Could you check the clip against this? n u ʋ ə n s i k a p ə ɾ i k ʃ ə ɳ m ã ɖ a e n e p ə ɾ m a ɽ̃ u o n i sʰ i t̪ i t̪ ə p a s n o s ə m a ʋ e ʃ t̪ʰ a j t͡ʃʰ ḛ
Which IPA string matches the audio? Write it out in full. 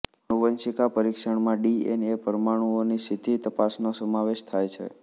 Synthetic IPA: n u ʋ ə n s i k a p ə ɾ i k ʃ ə ɳ m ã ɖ i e n e p ə ɾ m a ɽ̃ u o n i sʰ i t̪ i t̪ ə p a s n o s ə m a ʋ e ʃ t̪ʰ a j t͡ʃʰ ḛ